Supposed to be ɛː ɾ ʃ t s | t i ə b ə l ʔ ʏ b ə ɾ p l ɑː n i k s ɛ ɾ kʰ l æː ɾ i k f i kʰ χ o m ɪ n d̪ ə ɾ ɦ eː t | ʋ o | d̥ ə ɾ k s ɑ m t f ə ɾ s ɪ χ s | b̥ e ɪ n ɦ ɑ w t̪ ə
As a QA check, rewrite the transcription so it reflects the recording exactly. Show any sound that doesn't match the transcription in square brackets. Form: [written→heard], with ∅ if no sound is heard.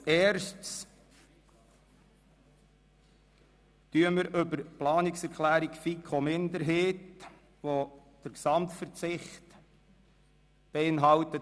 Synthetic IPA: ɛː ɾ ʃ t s | t [i→y] ə [b→m] ə [l→ɾ] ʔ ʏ b ə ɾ p l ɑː n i k s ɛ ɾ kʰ l æː ɾ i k f i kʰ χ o m ɪ n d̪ ə ɾ ɦ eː t | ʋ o | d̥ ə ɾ k s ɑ m t f ə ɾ [s→t͡s] ɪ χ [s→t] | b̥ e ɪ n ɦ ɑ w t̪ ə